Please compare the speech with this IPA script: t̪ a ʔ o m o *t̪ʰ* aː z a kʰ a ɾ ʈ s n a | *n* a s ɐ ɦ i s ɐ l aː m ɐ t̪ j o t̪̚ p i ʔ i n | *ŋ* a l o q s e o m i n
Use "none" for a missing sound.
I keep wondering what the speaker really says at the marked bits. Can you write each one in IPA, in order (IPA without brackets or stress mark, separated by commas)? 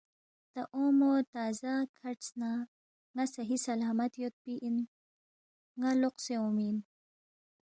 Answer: t̪, ŋ, ŋ